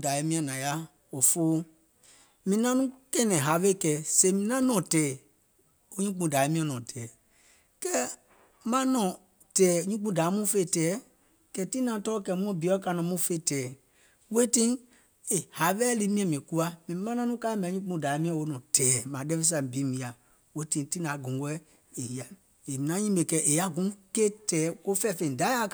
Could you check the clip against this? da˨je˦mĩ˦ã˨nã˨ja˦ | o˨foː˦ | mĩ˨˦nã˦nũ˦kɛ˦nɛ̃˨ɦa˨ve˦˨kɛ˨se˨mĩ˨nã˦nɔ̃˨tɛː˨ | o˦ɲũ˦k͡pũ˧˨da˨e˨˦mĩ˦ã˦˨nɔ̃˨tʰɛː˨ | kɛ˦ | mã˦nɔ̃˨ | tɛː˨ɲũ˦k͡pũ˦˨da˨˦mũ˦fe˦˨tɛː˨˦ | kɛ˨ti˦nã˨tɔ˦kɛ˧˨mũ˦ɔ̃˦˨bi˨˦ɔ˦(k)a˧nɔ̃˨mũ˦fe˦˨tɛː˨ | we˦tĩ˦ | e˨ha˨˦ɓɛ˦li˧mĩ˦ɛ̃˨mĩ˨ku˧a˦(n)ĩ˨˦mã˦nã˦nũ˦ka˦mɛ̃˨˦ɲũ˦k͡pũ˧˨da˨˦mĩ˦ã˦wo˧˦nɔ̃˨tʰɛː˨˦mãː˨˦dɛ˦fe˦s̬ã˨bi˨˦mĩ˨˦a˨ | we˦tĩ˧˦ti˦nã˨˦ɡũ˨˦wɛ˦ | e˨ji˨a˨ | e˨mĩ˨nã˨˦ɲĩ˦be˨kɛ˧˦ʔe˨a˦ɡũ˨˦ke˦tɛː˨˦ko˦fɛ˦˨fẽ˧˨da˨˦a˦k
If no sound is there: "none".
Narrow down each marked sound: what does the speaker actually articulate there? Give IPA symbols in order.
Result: k, m

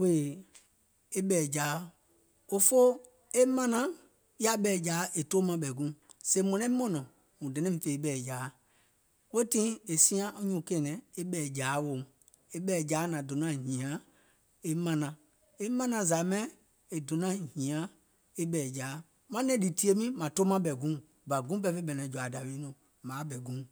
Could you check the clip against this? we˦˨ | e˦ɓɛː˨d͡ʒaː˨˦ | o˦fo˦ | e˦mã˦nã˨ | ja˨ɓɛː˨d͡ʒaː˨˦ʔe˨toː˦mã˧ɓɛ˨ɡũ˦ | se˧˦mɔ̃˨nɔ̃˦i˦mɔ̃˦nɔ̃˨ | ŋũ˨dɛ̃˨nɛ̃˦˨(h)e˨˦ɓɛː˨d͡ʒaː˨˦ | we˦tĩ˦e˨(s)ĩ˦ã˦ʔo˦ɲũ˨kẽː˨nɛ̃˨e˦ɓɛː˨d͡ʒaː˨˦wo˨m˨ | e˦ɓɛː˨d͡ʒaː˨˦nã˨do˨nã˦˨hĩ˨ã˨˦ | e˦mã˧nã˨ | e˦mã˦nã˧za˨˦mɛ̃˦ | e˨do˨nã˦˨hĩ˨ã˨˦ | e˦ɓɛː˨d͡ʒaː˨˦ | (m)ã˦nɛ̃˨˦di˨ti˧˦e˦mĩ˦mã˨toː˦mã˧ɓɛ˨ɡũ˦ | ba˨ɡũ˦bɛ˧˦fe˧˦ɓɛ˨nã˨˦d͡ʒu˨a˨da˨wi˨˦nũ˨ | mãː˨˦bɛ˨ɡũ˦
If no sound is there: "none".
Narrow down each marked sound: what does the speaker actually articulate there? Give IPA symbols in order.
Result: f, s, m

